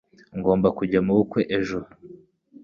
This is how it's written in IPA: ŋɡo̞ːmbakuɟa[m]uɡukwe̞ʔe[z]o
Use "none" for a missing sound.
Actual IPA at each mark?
m, ʒ

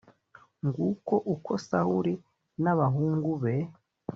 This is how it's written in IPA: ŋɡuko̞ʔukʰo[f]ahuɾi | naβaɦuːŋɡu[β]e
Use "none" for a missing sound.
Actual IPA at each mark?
s, β

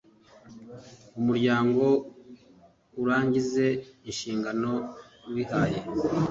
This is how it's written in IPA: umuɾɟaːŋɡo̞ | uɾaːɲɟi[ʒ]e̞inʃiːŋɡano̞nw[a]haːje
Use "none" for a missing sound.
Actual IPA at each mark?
z, i

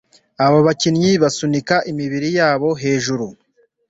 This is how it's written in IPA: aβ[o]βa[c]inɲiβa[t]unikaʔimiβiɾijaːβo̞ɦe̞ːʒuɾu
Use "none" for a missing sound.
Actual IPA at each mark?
o, c, s

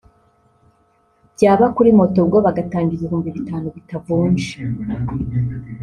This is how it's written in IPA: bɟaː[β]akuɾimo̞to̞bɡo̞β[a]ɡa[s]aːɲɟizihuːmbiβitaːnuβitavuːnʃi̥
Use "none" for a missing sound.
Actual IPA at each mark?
β, a, t

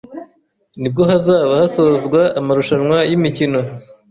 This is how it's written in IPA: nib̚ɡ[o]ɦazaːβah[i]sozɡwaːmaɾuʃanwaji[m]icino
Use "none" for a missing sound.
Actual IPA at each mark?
o, a, m

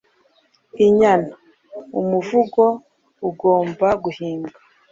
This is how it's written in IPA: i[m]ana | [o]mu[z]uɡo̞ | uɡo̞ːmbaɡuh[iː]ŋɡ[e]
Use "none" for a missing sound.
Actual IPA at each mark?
ɲ, u, v, iː, a

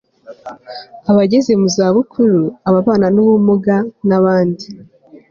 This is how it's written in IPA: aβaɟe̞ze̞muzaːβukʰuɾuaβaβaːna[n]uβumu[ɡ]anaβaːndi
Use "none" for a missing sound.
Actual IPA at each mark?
n, ɡ

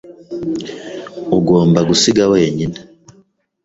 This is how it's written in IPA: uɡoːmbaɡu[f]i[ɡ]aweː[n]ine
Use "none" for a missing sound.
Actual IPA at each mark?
s, ɡ, ɲ

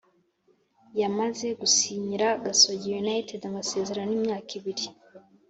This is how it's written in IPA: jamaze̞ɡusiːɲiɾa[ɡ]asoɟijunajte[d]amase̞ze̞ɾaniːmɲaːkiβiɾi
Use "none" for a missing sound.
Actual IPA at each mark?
ɡ, d

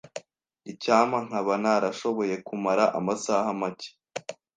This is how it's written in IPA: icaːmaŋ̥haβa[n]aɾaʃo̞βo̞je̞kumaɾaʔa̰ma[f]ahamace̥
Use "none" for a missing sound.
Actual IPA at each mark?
n, s

